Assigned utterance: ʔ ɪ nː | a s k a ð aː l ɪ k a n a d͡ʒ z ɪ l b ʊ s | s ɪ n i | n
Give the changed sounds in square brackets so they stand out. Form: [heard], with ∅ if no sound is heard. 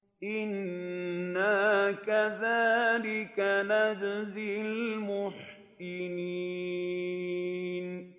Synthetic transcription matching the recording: ʔ ɪ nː | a [∅] k a ð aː l ɪ k a n a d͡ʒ z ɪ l [m] ʊ [ħ] | s ɪ n i | n